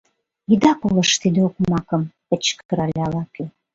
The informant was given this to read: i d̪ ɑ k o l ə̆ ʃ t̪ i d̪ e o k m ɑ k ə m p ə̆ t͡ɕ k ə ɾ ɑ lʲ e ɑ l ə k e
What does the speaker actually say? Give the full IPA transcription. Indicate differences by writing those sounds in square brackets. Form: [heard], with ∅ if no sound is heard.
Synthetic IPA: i d̪ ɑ k o l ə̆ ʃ t̪ i d̪ e o k m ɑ k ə m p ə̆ t͡ɕ k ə ɾ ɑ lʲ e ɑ l [ɑ] k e